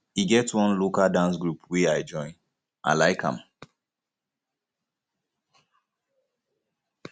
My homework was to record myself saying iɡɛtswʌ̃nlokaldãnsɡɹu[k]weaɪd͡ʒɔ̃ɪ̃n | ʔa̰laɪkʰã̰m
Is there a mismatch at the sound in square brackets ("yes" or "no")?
yes